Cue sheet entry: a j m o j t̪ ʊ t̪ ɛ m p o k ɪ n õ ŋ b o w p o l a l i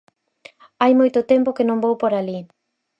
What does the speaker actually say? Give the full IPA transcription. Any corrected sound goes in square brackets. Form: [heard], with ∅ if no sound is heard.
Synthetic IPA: a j m o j t̪ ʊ t̪ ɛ m p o k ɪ n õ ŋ b o w p o [ɾ] a l i